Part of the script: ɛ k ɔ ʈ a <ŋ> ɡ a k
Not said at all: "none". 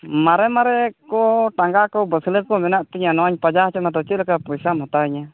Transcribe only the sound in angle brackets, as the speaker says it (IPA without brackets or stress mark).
ŋ